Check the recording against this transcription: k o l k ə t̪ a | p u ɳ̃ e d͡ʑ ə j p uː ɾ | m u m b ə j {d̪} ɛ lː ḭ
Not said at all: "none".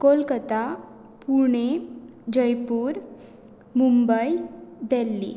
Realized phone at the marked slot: d̪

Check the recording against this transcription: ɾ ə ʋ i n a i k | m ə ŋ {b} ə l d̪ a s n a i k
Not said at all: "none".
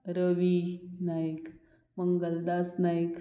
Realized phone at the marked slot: ɡ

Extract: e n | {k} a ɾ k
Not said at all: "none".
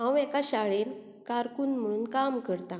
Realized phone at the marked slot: k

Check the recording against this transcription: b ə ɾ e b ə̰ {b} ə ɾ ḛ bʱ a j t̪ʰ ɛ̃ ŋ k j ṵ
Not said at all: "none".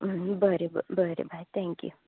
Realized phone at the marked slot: b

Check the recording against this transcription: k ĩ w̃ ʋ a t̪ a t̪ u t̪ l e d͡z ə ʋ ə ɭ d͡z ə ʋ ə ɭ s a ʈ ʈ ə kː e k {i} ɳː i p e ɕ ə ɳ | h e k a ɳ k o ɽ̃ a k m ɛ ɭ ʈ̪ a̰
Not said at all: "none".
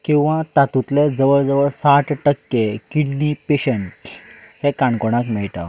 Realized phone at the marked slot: i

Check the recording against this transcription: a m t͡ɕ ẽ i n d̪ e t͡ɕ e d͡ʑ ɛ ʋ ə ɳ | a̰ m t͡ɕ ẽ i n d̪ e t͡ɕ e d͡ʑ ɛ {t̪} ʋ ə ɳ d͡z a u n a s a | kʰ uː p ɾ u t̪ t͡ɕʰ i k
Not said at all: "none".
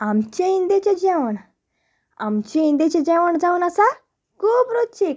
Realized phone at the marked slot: none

